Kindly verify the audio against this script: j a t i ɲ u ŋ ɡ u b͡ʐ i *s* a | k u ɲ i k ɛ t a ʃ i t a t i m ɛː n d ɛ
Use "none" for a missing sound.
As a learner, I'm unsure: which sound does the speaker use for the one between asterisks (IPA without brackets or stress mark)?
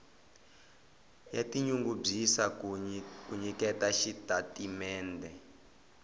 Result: s